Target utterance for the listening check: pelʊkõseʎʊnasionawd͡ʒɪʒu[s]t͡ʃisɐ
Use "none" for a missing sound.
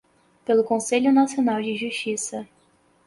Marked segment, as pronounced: ʃ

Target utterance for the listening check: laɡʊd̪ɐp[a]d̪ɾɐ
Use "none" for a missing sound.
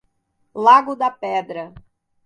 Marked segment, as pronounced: ɛ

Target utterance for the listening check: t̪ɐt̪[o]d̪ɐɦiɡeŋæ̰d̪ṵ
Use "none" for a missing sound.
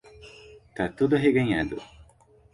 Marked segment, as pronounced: u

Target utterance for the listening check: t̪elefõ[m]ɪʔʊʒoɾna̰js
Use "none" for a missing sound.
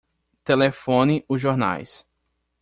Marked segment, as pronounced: n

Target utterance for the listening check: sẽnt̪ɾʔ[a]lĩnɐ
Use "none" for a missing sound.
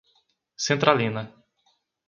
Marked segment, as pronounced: a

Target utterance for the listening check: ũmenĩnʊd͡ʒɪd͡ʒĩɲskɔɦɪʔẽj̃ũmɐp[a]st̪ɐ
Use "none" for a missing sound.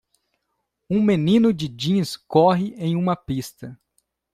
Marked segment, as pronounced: i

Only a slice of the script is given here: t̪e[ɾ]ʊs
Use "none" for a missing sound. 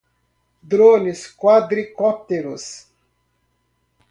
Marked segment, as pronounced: ɾ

